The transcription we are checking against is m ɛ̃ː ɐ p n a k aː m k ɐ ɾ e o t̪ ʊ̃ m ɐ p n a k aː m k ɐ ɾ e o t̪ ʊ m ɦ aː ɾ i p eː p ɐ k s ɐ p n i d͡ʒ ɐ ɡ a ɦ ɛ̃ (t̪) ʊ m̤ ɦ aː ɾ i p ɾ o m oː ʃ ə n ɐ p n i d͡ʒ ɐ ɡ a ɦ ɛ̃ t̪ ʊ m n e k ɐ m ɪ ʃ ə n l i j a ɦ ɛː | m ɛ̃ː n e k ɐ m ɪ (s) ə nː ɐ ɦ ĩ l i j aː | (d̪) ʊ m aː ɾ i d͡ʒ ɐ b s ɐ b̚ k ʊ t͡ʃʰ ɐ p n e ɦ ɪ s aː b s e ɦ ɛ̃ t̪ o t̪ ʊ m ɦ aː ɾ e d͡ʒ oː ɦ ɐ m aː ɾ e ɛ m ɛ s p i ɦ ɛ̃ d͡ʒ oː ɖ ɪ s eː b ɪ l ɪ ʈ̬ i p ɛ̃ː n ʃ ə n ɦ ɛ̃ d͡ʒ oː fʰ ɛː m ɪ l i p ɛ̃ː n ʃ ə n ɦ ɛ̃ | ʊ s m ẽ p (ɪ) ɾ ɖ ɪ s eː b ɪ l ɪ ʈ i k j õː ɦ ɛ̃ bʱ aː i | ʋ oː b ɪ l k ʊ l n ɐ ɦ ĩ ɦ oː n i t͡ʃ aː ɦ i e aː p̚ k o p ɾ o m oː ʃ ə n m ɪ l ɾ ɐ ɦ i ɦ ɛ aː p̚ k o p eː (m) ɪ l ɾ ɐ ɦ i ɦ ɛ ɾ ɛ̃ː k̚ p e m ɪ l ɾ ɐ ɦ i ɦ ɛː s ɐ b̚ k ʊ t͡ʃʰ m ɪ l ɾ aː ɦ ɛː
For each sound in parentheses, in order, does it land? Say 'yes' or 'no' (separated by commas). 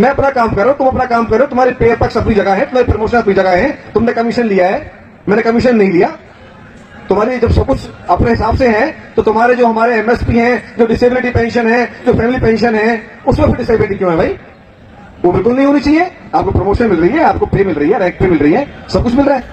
yes, no, no, yes, yes